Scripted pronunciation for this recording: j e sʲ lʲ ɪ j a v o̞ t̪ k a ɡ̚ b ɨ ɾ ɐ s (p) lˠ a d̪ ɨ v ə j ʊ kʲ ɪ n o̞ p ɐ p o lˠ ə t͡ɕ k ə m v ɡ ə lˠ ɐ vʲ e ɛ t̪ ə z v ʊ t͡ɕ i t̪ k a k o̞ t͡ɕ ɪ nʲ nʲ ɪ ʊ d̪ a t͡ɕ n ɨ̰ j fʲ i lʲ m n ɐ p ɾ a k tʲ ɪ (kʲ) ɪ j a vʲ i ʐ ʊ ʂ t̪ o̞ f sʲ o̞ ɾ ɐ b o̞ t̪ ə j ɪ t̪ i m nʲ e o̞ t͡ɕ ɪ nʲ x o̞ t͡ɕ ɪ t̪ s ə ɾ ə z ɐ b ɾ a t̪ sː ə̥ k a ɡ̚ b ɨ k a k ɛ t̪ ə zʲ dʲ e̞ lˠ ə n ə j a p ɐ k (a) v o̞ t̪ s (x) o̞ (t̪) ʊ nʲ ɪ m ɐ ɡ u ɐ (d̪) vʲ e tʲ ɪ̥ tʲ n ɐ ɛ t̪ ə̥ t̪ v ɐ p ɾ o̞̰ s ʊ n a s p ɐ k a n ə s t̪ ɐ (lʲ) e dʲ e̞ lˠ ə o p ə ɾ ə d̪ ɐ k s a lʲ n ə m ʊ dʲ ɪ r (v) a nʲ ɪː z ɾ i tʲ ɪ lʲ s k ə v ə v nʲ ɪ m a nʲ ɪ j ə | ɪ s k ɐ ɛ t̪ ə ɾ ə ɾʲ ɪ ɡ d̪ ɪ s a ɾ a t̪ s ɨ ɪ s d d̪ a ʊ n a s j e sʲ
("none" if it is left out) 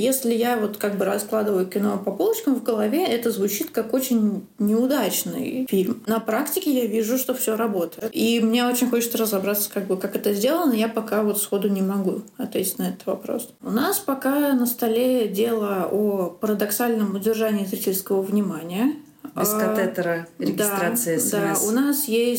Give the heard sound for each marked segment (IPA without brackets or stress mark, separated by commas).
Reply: k, kʲ, a, x, d̪, t̪, lʲ, ʐ